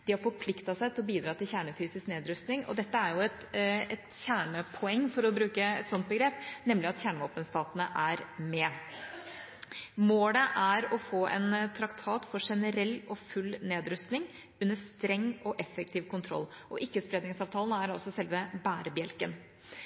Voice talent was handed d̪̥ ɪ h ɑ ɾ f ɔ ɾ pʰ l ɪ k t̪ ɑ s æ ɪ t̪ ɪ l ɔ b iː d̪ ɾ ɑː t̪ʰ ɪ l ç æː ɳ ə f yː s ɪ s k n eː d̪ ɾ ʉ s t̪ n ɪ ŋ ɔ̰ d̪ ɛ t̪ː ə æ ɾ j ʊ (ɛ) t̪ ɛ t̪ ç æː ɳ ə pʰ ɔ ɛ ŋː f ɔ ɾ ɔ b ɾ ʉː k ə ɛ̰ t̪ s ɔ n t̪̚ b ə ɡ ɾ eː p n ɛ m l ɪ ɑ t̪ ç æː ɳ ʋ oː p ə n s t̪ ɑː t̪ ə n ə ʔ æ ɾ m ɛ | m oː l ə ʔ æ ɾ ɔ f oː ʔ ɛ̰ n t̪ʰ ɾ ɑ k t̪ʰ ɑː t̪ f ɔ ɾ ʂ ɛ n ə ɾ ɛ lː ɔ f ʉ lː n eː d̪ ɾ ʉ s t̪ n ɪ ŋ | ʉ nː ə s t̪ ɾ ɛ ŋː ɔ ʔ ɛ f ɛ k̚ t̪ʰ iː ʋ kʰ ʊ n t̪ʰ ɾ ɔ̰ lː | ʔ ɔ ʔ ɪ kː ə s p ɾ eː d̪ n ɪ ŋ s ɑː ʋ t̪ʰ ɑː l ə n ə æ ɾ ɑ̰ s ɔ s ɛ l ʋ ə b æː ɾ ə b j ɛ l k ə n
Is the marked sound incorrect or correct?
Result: correct